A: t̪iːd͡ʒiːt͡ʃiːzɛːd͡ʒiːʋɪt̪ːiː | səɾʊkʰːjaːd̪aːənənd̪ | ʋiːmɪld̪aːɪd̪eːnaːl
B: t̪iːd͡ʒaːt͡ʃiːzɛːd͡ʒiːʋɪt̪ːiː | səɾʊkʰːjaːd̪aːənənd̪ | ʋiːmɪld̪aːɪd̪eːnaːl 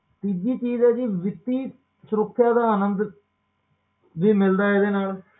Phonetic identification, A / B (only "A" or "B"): A